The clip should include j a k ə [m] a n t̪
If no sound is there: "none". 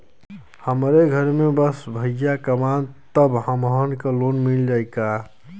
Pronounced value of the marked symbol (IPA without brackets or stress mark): m